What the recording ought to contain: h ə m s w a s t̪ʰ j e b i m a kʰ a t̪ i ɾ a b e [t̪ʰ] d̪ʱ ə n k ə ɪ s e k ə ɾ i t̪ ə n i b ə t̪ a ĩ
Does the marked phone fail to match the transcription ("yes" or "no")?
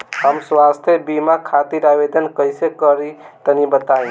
yes